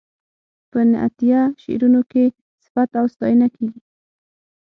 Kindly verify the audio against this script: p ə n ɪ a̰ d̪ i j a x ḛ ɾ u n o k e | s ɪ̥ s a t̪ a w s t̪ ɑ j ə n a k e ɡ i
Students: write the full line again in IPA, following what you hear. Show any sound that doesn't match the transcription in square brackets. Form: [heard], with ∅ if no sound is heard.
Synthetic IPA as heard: p ə n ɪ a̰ [t̪] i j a [ʃ] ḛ ɾ u n o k e | s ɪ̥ [f] a t̪ a w s t̪ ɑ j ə n a k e ɡ i